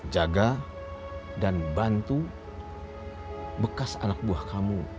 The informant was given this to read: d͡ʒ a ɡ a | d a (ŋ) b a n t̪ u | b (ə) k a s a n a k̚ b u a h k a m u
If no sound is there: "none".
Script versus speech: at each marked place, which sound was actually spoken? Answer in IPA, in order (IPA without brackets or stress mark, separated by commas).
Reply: n, ə